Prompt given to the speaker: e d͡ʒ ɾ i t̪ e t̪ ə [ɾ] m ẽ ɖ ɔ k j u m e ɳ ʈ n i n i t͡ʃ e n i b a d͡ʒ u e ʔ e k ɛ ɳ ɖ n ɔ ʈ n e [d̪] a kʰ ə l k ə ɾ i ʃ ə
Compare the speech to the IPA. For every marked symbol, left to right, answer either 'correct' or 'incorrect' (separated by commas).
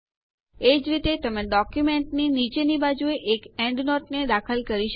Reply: incorrect, correct